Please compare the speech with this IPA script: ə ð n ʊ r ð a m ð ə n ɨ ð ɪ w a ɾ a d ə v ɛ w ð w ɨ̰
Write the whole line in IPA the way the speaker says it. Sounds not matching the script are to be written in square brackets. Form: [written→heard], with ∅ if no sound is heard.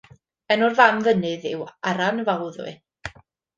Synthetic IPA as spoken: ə [ð→∅] n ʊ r [ð→v] a m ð ə n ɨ ð ɪ w a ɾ a [d→n] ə v [ɛ→a] w ð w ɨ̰